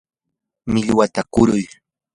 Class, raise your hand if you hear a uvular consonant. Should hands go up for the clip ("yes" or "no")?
no